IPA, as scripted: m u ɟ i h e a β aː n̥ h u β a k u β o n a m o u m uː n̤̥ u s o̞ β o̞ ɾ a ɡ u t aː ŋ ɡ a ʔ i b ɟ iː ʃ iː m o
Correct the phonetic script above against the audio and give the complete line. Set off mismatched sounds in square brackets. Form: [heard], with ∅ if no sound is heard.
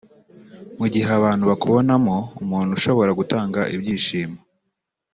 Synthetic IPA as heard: m u ɟ i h e a β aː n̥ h u β a k u β o n a m o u m uː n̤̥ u [ʃ] o̞ β o̞ ɾ a ɡ u t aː ŋ ɡ a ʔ i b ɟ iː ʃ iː m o

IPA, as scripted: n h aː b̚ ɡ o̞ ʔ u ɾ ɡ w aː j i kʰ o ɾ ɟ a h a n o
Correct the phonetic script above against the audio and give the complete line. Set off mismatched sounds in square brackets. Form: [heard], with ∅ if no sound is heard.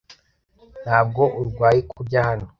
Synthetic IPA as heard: n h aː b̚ ɡ o̞ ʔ u ɾ ɡ w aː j i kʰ [u] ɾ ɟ a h a n o

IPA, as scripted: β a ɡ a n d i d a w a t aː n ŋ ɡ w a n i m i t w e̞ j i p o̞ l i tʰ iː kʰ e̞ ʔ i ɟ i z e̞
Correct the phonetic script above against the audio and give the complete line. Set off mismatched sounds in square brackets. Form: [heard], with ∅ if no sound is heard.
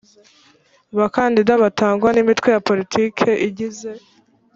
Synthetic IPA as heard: β a [k] a n d i d a [β] a t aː [∅] ŋ ɡ w a n i m i t w e̞ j [a] p o̞ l i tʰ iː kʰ e̞ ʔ i ɟ i z e̞

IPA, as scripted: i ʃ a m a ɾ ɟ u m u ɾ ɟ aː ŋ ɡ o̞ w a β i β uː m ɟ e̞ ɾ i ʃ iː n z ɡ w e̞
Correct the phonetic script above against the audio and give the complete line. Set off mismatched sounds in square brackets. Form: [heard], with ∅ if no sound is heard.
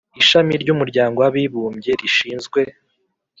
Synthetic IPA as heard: i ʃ a m [i] ɾ ɟ u m u ɾ ɟ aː ŋ ɡ o̞ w a β i β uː m ɟ e̞ ɾ i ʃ iː n z ɡ w e̞

